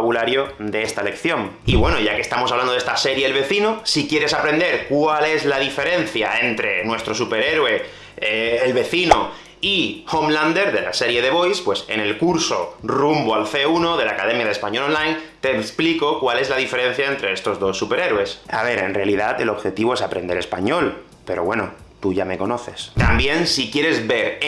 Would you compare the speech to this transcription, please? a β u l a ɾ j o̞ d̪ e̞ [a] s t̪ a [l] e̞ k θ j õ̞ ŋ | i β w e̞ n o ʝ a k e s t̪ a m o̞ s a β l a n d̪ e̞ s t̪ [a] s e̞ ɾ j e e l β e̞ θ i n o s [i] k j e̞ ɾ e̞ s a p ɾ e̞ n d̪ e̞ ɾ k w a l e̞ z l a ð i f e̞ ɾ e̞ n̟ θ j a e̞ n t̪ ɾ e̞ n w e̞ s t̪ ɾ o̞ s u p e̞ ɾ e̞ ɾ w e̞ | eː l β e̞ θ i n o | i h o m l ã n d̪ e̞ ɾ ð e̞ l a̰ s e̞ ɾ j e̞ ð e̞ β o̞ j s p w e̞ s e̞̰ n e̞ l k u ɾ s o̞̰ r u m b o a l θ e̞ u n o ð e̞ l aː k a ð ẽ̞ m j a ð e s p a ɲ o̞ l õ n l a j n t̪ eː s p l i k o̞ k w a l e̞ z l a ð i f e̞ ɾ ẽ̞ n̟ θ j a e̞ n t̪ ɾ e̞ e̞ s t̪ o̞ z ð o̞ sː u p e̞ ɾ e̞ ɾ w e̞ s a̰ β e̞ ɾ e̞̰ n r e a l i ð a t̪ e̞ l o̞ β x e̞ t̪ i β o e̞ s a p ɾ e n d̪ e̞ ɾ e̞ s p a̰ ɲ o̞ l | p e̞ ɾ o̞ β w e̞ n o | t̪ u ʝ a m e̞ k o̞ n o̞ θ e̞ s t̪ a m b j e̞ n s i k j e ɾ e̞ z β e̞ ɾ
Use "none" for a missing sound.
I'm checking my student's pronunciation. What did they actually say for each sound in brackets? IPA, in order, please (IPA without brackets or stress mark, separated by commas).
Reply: e, l, a, i